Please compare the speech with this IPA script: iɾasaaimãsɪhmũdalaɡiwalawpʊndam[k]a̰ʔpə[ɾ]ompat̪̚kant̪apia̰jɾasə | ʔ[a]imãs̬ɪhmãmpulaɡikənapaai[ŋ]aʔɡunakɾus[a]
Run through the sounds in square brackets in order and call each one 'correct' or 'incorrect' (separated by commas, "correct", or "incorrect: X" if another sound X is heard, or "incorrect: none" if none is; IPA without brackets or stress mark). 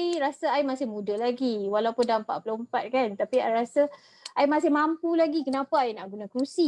incorrect: p, incorrect: l, correct, incorrect: n, incorrect: i